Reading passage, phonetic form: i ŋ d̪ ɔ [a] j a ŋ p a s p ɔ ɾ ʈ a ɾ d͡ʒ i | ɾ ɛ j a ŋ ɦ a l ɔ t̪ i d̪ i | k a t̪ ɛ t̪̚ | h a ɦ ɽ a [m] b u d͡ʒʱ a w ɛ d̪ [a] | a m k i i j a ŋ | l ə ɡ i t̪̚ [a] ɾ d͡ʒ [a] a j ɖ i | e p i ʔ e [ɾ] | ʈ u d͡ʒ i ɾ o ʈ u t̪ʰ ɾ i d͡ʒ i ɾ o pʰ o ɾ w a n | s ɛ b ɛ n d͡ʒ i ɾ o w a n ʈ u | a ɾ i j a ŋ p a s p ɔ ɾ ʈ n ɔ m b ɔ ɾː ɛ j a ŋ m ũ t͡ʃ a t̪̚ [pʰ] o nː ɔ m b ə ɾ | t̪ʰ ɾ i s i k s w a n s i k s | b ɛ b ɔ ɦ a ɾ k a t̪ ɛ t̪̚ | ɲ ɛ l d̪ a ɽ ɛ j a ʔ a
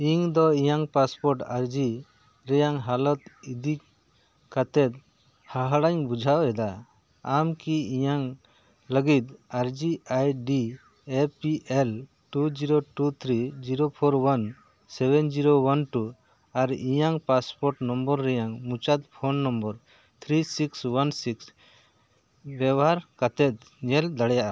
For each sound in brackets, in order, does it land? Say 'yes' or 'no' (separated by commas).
no, no, yes, yes, no, no, yes